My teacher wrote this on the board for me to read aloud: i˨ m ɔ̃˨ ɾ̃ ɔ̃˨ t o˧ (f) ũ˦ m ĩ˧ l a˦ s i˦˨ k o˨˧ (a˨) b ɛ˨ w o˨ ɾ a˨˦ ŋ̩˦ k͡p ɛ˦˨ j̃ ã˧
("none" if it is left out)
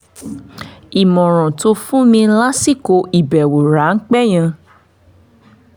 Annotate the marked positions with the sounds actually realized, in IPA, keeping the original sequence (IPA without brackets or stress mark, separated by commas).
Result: f, i˨